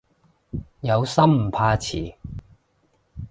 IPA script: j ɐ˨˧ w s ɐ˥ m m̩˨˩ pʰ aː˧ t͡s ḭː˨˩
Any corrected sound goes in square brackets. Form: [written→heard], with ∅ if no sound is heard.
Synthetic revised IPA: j ɐ˨˧ w s ɐ˥ m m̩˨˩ pʰ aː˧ [t͡s→t͡sʰ] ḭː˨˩